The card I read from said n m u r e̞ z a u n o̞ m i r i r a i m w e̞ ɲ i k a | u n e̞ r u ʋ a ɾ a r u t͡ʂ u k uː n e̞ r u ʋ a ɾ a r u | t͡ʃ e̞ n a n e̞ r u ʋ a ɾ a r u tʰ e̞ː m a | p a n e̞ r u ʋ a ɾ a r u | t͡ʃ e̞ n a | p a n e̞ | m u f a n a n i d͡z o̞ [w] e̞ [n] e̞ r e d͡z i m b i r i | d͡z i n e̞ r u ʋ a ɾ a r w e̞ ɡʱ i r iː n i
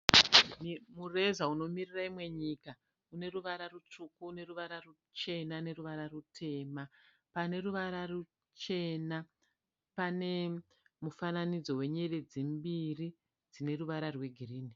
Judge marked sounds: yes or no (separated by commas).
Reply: yes, no